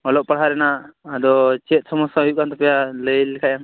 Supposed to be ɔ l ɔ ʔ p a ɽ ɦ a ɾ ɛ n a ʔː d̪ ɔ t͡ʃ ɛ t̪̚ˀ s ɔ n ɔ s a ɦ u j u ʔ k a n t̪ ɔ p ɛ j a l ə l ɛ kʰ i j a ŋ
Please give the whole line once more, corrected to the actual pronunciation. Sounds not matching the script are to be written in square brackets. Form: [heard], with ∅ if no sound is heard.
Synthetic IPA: ɔ l ɔ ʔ p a ɽ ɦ a ɾ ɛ n a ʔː d̪ ɔ t͡ʃ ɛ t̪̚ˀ s ɔ [m] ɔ s a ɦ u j u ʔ k a n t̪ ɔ p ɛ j a l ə l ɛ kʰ [a] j a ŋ